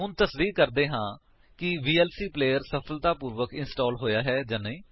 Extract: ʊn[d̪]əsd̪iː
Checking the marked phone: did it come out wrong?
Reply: yes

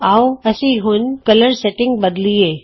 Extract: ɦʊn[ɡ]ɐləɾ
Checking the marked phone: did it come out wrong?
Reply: yes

